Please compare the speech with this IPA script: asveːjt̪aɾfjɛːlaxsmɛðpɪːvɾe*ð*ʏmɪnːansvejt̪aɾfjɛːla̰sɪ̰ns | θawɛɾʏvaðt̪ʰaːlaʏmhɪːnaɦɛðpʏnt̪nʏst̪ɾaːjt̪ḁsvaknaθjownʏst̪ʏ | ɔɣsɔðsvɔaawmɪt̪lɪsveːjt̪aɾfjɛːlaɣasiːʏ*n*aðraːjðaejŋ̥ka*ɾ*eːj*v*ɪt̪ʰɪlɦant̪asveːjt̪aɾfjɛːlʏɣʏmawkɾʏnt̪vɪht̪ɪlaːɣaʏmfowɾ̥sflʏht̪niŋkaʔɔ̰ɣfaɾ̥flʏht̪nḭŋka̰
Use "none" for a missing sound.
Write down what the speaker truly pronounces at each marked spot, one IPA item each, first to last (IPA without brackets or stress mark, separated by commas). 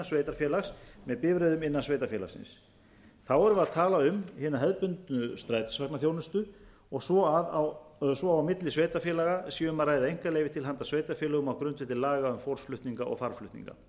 ð, m, l, v